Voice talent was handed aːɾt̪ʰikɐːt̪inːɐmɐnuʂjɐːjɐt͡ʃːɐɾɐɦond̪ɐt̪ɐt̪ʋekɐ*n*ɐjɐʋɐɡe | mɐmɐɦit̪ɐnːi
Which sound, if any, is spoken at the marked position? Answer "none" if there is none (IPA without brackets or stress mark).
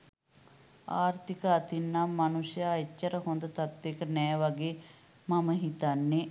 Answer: n